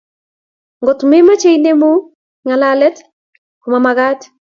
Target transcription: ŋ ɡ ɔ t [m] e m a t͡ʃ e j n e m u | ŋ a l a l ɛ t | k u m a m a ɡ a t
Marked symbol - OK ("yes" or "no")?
yes